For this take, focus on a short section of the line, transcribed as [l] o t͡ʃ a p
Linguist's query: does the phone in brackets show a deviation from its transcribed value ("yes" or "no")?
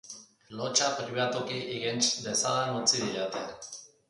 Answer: no